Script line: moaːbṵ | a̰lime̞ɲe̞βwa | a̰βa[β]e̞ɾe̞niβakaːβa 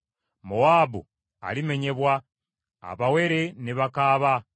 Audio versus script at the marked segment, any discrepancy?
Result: yes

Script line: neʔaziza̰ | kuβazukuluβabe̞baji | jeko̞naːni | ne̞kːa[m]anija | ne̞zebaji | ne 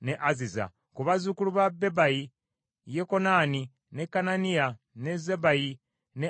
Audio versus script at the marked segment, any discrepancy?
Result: yes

